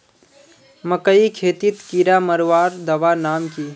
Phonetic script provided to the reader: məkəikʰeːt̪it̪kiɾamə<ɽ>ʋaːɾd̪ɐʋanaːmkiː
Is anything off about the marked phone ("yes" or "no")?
yes